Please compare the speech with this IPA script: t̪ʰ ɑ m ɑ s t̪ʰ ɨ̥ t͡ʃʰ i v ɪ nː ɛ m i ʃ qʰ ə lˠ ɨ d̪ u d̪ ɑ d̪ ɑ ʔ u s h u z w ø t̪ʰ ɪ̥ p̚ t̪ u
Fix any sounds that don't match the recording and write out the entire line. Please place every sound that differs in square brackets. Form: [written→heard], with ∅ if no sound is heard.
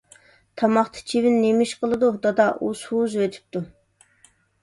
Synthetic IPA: t̪ʰ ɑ m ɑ [s→χ] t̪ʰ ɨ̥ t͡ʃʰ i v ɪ nː [ɛ→e] m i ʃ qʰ ə lˠ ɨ d̪ u d̪ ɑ d̪ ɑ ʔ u s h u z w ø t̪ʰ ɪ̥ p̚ t̪ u